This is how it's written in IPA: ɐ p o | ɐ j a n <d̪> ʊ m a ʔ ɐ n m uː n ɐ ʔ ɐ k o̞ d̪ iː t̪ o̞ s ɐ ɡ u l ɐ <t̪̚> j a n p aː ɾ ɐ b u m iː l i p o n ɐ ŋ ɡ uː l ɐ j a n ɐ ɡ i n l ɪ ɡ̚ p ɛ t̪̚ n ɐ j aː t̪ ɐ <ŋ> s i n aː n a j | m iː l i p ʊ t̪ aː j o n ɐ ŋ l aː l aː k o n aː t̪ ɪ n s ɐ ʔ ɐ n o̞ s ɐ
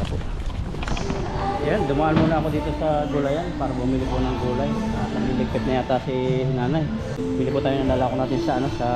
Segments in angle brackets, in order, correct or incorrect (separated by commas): correct, incorrect, incorrect